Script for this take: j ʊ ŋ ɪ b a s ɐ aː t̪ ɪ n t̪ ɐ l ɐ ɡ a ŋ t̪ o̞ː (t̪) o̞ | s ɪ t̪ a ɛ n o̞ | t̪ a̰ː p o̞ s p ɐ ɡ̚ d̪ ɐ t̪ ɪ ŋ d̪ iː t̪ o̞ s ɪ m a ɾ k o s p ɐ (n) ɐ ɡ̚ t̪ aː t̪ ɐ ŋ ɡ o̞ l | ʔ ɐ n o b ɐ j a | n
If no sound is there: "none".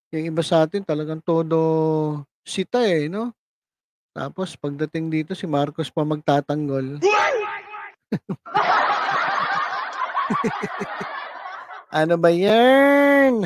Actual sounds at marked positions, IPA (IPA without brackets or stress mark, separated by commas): d̪, m